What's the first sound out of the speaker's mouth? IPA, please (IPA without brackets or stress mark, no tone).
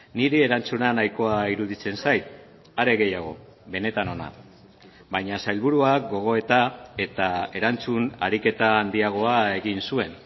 n